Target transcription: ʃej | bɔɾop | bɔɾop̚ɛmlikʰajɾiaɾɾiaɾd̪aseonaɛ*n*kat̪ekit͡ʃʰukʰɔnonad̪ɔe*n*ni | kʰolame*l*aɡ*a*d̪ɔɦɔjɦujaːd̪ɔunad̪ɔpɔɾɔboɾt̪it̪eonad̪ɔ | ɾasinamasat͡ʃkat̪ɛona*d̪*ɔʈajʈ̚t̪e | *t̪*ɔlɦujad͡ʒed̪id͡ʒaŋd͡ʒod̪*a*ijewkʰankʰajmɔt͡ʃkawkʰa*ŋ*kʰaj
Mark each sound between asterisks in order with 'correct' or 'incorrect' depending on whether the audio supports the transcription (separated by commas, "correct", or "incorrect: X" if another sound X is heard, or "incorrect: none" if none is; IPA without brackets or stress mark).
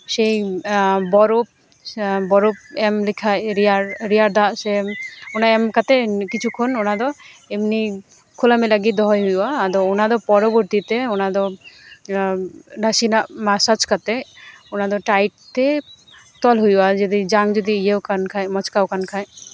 incorrect: m, incorrect: m, correct, incorrect: i, correct, correct, incorrect: i, incorrect: n